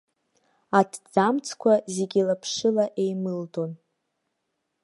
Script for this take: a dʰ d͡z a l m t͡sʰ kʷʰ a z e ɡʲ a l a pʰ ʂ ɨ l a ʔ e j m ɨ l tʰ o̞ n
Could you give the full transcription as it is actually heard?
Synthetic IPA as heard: a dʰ d͡z a m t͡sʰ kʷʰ a z e ɡʲ i l a pʰ ʂ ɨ l a ʔ e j m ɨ l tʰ o̞ n